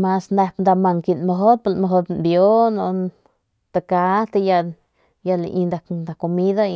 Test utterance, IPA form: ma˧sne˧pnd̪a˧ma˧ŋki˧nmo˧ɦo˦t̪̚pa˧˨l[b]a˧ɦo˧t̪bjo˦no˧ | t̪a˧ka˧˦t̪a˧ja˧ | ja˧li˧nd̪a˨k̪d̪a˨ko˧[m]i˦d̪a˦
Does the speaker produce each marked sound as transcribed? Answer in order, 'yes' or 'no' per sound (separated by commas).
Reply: no, yes